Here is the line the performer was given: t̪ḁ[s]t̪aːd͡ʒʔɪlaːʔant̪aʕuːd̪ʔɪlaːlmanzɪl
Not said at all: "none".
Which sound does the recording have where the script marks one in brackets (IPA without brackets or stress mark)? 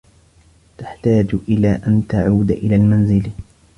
ħ